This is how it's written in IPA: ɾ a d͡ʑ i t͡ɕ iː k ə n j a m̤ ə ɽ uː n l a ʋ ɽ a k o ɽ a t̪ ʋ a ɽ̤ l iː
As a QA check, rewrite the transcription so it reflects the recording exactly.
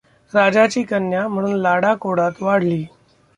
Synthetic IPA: ɾ a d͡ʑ a t͡ɕ iː k ə n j a m̤ ə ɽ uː n l a ɽ a k o ɽ a t̪ ʋ a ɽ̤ l iː